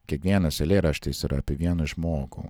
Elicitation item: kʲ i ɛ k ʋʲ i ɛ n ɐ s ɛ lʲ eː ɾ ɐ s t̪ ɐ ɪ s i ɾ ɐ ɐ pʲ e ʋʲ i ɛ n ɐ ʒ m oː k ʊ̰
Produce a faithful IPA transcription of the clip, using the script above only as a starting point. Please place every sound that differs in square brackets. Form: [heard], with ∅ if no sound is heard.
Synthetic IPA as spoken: kʲ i ɛ k ʋʲ i ɛ n ɐ s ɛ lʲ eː ɾ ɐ [ʃ] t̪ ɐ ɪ s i ɾ ɐ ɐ pʲ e ʋʲ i ɛ n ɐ ʒ m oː [ɡ] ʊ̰